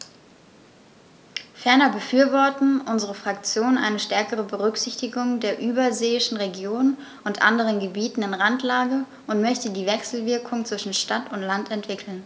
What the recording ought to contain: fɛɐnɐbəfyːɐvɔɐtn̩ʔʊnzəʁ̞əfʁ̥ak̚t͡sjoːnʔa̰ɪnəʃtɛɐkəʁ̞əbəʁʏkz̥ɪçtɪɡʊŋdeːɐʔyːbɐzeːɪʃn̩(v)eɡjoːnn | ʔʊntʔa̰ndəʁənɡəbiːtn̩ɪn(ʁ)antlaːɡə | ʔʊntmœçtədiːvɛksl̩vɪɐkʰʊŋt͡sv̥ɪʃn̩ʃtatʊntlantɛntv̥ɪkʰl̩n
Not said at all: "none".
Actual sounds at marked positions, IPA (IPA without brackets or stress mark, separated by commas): ʁ, ʁ